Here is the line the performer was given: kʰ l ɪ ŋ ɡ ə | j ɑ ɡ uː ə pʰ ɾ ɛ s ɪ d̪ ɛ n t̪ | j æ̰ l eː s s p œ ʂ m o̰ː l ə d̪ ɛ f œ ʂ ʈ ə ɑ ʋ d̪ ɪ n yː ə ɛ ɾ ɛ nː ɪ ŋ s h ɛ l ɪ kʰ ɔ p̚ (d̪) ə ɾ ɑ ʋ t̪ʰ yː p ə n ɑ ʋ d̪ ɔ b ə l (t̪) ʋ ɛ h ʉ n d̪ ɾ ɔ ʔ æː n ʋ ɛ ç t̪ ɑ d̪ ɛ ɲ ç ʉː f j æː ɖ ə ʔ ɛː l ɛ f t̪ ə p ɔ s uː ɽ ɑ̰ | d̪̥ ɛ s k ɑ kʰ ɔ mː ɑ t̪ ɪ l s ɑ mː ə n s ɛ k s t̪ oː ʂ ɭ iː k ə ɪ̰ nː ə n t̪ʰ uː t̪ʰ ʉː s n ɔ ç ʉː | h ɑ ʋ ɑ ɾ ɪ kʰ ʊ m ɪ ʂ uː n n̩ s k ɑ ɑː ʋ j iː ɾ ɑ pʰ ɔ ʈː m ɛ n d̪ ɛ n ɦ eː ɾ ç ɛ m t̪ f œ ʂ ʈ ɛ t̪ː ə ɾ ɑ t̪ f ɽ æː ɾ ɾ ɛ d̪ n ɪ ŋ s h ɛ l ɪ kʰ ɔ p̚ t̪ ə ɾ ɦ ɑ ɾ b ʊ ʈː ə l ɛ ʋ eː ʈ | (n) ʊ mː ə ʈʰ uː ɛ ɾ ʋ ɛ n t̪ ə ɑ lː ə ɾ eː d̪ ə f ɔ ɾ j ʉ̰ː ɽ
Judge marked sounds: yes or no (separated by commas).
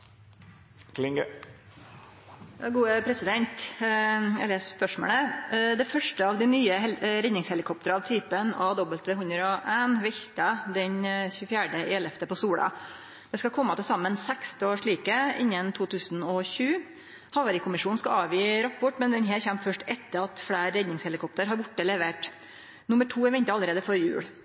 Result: no, yes, yes